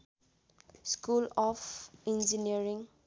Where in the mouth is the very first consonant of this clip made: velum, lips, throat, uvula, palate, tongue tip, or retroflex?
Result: tongue tip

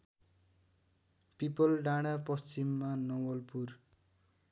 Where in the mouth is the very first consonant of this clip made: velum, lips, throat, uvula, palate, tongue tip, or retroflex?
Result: lips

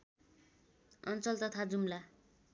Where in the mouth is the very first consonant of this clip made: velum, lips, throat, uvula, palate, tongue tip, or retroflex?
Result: tongue tip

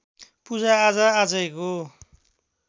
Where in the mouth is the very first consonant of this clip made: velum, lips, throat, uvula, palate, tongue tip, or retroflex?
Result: lips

